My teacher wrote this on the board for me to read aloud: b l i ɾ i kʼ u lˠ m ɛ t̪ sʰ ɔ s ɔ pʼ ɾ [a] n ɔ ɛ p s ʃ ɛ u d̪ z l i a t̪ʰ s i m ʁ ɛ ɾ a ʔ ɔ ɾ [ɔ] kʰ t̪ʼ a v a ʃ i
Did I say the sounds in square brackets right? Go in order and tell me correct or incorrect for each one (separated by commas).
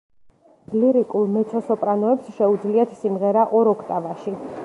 correct, correct